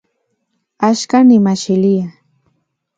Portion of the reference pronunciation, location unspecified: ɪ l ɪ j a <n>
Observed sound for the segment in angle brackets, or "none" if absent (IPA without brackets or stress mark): none